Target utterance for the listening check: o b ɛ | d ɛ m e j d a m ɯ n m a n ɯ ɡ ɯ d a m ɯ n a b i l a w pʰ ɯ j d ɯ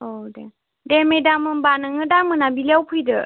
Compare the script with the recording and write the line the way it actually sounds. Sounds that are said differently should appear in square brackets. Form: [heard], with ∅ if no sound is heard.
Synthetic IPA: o [d] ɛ | d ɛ m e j d a m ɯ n [b] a n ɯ [ŋ] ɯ d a m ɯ n a b i l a w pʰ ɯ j d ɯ